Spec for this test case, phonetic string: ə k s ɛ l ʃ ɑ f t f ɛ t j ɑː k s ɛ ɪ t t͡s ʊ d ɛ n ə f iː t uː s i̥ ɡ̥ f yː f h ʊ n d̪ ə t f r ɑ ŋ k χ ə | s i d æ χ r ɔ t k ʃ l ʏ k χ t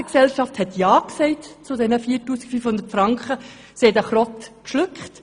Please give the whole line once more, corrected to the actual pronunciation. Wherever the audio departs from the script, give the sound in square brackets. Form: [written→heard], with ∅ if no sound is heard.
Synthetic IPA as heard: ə k s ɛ l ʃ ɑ f t [f→h] ɛ t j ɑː k s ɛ ɪ t t͡s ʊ d ɛ n ə f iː t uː s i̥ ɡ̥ f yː f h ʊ n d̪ ə t f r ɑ ŋ k χ ə | s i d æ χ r ɔ t k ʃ l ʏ k χ t